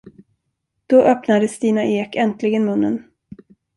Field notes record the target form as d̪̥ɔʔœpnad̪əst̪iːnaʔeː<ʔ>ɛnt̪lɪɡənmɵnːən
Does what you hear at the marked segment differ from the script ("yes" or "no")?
yes